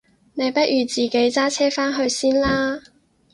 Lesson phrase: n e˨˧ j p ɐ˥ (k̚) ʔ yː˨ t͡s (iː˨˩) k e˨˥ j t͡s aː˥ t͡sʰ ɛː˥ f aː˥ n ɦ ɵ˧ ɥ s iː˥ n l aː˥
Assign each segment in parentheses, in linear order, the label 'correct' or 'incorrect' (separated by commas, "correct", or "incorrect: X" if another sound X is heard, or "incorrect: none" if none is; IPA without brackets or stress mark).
incorrect: t̚, correct